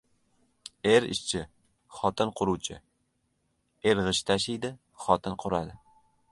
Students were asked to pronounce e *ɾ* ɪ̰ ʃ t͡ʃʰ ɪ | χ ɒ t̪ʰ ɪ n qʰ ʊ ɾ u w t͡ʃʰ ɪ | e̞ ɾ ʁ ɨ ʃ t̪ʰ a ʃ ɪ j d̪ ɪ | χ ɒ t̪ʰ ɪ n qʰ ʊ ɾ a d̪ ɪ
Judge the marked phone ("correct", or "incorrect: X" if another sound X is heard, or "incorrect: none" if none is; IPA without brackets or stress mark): correct